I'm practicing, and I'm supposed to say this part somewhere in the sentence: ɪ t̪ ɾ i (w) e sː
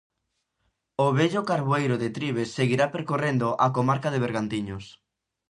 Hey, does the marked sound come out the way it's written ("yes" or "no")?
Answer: no